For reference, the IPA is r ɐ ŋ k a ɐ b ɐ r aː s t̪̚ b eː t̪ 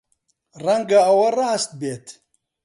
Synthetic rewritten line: r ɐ ŋ ɡ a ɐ w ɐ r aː s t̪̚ b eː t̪